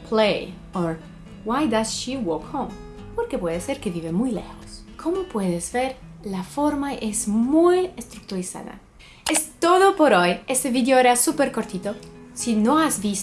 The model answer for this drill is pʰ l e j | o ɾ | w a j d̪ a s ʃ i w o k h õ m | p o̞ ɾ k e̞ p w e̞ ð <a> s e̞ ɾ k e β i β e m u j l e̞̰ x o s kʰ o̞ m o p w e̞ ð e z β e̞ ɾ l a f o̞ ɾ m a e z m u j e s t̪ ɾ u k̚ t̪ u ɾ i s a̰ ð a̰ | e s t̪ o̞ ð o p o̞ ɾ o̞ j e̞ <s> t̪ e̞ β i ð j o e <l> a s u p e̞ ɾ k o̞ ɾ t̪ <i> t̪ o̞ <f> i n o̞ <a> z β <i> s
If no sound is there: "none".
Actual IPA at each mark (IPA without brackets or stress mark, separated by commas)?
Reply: e, s, ɾ, i, s, a, i